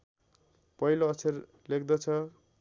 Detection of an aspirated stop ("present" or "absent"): present